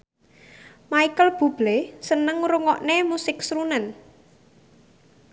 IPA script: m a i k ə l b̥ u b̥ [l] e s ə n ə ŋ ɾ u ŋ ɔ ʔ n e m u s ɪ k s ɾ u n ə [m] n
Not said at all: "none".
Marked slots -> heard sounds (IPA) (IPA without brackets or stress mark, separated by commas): l, none